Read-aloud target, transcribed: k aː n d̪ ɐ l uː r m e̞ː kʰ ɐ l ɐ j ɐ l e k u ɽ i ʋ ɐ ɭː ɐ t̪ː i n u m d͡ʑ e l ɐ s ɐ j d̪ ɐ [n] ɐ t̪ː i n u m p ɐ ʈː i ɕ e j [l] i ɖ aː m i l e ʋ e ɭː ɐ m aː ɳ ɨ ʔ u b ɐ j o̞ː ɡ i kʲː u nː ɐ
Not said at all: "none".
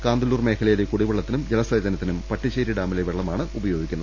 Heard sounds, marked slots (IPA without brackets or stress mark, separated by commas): n, ɾ